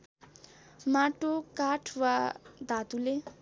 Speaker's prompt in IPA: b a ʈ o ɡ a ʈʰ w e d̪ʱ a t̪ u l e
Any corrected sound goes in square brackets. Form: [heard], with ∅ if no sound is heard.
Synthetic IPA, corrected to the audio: [m] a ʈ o [k] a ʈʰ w [a] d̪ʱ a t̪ u l e